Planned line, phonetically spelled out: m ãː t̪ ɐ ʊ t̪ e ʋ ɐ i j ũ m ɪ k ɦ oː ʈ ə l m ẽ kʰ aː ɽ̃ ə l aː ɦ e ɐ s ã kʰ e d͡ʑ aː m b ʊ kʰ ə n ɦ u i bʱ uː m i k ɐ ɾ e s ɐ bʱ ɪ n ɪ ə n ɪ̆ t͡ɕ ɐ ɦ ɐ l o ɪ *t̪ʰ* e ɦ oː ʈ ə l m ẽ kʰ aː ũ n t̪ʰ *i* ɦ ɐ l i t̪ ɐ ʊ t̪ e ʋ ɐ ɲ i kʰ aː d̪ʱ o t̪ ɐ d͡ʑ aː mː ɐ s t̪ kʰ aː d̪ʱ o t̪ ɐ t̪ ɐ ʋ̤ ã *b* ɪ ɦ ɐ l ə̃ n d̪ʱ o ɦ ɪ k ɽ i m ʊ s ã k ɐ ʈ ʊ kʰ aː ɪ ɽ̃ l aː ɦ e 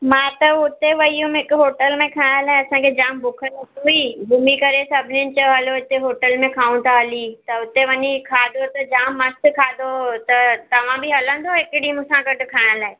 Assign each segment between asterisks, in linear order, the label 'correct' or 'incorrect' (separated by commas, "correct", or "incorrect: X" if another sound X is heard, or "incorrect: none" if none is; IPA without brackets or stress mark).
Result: incorrect: t̪, incorrect: a, correct